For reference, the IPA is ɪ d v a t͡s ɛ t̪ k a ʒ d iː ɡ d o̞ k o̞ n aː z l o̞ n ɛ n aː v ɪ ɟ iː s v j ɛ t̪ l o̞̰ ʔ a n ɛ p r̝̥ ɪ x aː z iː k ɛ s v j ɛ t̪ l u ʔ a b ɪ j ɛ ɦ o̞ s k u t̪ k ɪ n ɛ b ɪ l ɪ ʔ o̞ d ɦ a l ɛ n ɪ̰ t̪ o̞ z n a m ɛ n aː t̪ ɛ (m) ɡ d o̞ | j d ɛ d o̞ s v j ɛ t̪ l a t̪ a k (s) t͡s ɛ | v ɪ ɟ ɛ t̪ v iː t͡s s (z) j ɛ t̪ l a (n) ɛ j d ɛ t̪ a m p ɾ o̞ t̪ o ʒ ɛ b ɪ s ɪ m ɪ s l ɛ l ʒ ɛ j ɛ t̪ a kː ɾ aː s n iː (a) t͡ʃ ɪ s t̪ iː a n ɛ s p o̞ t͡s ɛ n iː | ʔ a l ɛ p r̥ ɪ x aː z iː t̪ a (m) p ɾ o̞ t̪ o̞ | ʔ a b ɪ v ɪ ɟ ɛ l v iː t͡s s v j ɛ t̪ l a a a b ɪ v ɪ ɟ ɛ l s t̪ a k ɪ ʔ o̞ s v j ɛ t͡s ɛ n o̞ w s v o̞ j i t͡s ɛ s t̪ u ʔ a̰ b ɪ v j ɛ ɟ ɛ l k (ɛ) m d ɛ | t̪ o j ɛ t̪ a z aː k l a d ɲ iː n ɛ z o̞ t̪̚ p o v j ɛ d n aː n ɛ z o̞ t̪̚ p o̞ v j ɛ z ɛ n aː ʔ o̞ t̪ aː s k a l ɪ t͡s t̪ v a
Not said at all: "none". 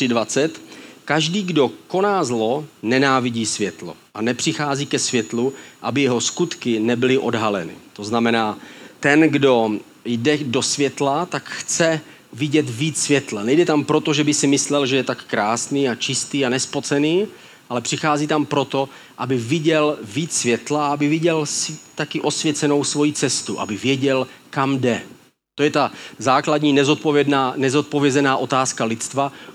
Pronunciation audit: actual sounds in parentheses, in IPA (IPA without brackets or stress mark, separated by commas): n, x, v, n, a, m, a